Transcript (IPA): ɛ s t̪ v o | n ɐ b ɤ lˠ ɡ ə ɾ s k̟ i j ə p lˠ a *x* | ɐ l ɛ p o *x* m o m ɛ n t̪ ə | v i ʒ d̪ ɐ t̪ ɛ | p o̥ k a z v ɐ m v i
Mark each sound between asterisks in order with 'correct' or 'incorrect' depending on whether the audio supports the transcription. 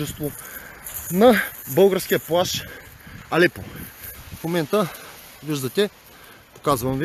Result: incorrect: ʃ, incorrect: f

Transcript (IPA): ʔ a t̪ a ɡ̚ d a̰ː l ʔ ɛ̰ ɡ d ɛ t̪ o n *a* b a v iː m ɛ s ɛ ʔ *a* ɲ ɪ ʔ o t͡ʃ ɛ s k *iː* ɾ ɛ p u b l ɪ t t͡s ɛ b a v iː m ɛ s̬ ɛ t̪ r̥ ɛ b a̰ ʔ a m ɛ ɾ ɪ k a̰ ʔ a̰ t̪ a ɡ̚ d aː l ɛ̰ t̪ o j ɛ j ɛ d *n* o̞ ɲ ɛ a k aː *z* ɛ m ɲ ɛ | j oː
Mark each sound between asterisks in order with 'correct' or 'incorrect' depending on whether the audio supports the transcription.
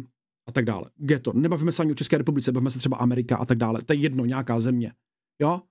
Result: incorrect: ɛ, correct, incorrect: ɛː, correct, correct

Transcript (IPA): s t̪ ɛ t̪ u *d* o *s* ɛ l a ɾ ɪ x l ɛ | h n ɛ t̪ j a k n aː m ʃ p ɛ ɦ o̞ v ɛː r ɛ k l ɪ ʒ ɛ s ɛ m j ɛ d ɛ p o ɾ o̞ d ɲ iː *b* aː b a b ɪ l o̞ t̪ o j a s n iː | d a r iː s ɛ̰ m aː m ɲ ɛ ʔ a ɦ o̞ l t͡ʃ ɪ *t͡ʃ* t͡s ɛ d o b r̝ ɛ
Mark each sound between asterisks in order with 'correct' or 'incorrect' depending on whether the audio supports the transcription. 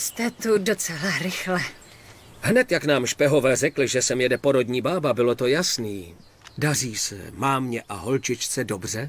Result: correct, incorrect: t͡s, correct, correct

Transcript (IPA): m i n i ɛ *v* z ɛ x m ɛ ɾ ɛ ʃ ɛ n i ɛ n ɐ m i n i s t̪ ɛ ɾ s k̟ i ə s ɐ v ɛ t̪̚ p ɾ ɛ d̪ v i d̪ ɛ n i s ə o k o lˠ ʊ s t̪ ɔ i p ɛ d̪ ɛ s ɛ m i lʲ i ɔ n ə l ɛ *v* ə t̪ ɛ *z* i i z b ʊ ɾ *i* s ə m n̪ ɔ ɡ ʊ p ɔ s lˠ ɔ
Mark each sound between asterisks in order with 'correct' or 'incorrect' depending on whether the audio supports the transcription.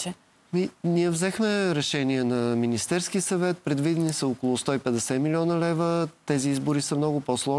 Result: correct, correct, correct, correct

